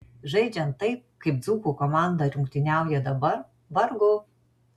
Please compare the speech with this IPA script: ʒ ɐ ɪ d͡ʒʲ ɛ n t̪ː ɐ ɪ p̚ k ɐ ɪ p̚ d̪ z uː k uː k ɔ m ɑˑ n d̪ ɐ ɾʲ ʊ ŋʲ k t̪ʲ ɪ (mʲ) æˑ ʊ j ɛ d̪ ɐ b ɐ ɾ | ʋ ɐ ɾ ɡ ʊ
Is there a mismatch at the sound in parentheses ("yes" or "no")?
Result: yes